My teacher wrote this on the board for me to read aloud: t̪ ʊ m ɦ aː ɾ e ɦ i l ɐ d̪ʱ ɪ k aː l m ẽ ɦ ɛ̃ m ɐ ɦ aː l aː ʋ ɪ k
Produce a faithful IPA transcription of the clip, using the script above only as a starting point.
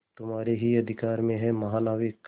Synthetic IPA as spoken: t̪ ʊ m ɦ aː ɾ e ɦ i ɐ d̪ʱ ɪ k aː ɾ m ẽ ɦ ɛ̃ m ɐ ɦ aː l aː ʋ ɪ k